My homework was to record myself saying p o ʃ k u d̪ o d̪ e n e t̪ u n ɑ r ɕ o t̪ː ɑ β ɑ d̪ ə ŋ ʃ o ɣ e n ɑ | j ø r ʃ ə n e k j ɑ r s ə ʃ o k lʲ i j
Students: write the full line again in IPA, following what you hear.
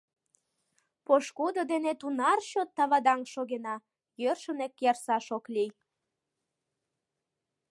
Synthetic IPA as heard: p o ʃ k u d̪ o d̪ e n e t̪ u n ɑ r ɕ o t̪ː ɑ β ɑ d̪ ɑ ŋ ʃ o ɣ e n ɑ | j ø r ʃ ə n e k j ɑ r s ɑ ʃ o k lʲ i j